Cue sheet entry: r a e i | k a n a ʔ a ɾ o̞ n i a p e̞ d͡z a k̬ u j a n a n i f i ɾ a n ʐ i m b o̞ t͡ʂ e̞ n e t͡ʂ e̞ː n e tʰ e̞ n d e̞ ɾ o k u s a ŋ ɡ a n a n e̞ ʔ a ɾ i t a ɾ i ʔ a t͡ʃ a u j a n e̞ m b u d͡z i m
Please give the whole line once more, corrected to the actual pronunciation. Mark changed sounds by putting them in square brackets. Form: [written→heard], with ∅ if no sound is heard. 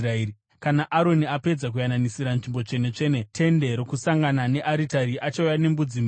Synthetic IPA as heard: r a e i | k a n a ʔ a ɾ o̞ n i a p e̞ d͡z a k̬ u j a n a n i [f→s] i ɾ a n ʐ i m b o̞ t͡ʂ e̞ n e t͡ʂ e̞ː n e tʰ e̞ n d e̞ ɾ o k u s a ŋ ɡ a n a n e̞ ʔ a ɾ i t a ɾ i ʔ a t͡ʃ a u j a n e̞ m b u d͡z i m